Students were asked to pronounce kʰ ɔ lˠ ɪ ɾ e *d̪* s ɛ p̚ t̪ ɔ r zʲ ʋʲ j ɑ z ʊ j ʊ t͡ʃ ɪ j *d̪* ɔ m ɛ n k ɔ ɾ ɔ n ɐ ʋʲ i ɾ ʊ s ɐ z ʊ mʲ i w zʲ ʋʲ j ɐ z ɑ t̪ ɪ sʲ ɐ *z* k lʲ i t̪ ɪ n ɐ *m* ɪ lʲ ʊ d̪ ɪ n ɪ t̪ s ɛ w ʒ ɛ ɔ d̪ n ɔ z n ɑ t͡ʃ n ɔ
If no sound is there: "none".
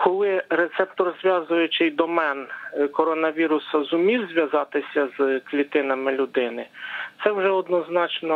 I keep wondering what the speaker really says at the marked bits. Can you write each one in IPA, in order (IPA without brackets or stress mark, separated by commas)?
t̪, d̪, z, m